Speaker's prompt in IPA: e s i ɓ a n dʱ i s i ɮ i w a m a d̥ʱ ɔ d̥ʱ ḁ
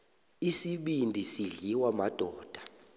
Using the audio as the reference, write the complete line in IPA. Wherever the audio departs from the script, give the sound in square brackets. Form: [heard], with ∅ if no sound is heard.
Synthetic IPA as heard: [i] s i ɓ [i] n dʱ i s i ɮ i w a m a d̥ʱ [ɔː] d̥ʱ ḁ